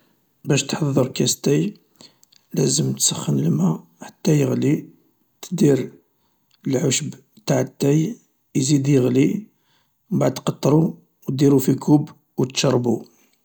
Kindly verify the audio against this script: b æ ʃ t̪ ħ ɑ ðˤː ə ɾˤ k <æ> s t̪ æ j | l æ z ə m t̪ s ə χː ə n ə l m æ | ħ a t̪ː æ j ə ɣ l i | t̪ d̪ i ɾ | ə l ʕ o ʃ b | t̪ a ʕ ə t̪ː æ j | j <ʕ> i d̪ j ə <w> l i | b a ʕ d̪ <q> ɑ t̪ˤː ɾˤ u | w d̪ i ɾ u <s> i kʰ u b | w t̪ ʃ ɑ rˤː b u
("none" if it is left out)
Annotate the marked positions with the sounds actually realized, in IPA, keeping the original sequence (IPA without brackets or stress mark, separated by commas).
æ, z, ɣ, q, f